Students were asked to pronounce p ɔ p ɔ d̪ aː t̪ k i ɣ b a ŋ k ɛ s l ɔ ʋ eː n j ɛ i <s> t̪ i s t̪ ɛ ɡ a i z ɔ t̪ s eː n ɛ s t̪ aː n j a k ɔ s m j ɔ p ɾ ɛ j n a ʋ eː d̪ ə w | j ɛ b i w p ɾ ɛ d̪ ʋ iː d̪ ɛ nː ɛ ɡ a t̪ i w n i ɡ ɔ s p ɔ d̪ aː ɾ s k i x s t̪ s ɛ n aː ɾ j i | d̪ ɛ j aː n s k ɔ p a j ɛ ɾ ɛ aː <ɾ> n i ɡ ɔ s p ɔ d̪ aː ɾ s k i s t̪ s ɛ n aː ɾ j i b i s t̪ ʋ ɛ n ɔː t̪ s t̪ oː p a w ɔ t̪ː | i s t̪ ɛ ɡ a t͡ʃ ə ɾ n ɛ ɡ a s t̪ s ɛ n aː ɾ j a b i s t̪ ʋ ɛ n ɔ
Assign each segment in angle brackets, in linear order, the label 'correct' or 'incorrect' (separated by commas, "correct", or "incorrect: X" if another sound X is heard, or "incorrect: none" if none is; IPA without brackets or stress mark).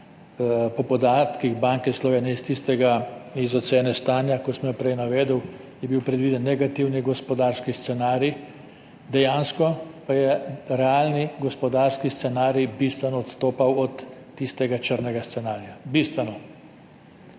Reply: correct, incorrect: l